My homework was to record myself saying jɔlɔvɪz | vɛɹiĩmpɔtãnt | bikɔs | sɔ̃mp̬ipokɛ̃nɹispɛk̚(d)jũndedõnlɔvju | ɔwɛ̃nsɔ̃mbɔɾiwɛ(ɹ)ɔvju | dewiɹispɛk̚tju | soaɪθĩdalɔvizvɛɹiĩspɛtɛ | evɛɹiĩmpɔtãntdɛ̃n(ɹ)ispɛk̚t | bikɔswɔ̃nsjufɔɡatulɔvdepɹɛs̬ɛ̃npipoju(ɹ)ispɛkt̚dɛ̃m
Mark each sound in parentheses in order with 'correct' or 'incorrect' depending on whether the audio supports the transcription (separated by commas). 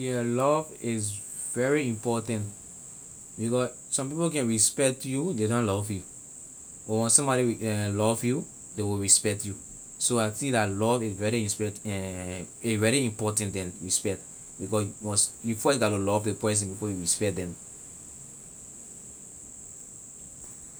incorrect, incorrect, correct, correct